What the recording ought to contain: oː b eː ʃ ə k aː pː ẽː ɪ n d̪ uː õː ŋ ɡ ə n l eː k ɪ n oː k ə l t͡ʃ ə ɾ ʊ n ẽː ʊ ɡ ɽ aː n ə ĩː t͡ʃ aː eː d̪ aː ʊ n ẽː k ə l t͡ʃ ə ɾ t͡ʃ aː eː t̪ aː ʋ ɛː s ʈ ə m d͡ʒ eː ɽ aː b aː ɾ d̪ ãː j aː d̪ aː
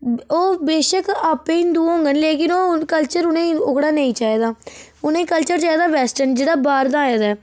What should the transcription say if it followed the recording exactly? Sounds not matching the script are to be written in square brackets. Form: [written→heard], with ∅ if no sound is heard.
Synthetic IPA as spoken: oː b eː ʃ ə k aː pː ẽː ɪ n d̪ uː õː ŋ ɡ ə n l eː k ɪ n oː k ə l t͡ʃ ə ɾ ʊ n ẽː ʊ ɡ ɽ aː n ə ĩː t͡ʃ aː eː d̪ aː ʊ n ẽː k ə l t͡ʃ ə ɾ t͡ʃ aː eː [t̪→d̪] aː ʋ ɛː s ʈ ə [m→n] d͡ʒ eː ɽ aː b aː ɾ d̪ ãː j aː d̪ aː